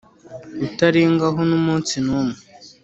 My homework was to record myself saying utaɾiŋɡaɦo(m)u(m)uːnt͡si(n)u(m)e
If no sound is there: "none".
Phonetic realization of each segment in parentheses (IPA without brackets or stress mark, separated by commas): n, m, n, m